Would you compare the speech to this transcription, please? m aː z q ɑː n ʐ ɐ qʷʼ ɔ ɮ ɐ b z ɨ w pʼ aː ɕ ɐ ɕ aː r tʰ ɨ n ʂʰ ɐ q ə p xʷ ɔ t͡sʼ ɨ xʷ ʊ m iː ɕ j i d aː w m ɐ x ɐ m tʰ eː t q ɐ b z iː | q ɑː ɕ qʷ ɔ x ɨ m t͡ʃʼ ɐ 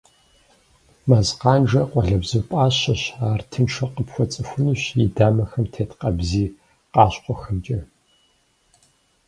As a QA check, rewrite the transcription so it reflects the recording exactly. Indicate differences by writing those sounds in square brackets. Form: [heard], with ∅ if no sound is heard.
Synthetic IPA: m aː z q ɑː n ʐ ɐ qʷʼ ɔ ɮ ɐ b z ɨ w pʼ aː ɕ ɐ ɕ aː r tʰ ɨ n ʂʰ ɐ q ə p xʷ ɔ t͡sʼ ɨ xʷ ʊ [n] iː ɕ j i d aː [∅] m ɐ x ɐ m tʰ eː t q ɐ b z iː | q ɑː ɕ qʷ ɔ x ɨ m t͡ʃʼ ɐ